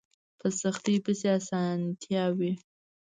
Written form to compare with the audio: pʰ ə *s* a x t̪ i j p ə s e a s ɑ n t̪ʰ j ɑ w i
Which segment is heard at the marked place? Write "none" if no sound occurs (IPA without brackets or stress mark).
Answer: s